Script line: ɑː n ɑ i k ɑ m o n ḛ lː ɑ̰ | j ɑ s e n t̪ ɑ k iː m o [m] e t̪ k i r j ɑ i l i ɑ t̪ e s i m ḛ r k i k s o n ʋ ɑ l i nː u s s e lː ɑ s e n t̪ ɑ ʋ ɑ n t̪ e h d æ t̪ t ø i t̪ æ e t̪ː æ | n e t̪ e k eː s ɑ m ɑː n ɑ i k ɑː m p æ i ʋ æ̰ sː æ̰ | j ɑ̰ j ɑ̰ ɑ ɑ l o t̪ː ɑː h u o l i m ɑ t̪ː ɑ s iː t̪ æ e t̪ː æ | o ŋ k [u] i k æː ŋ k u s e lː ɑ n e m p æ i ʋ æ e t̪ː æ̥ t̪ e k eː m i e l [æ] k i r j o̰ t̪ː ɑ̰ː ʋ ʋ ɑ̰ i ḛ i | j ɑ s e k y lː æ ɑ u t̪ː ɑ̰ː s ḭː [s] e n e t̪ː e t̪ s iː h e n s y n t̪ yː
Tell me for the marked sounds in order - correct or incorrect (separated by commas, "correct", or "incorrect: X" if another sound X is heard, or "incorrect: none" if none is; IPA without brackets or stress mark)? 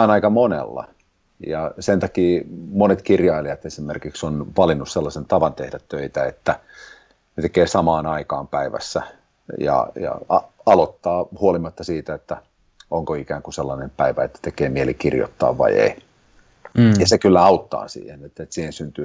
incorrect: n, incorrect: o, incorrect: i, incorrect: h